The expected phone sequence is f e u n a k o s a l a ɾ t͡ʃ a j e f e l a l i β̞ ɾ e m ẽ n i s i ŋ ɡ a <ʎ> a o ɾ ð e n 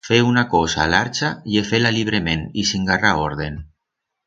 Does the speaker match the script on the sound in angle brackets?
no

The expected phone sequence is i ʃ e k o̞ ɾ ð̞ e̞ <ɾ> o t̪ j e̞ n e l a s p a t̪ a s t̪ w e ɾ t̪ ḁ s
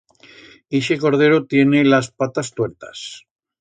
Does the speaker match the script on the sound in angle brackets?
yes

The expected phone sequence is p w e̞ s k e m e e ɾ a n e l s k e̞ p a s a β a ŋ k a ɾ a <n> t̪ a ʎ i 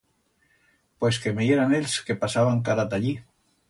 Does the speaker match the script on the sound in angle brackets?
no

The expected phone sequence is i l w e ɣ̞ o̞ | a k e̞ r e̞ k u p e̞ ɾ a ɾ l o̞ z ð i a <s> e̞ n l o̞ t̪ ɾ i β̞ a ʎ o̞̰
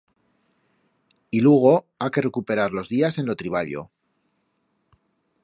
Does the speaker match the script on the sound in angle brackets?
yes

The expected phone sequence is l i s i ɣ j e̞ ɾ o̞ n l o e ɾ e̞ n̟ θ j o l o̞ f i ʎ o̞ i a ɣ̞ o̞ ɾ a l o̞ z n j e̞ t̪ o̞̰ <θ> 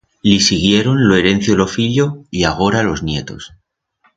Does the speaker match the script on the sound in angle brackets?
no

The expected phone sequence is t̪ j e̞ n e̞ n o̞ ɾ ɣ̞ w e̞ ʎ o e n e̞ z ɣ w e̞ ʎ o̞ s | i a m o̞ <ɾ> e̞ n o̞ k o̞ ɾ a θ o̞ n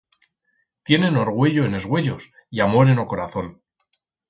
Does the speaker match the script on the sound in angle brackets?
yes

